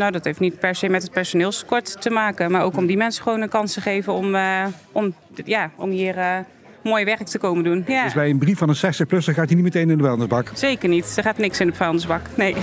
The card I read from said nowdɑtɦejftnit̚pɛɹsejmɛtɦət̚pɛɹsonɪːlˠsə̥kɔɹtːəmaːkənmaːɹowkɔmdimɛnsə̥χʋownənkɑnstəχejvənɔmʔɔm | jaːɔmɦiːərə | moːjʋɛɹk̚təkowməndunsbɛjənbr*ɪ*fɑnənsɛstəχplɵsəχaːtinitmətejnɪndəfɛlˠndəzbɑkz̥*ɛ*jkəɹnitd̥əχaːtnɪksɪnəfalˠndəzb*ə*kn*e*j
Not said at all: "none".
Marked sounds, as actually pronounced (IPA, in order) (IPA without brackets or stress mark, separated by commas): i, e, ɑ, e